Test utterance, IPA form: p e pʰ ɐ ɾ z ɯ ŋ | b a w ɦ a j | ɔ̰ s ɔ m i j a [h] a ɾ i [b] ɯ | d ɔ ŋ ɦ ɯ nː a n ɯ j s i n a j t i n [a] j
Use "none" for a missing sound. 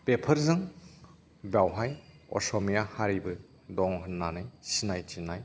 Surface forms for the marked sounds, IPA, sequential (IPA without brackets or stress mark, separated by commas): h, b, a